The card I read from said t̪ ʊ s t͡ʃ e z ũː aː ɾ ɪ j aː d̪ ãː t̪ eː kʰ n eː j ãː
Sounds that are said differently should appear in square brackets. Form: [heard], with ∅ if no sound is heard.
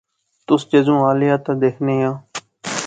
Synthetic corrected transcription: t̪ ʊ s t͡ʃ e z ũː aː [l] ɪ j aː [t̪] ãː [d̪] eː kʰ n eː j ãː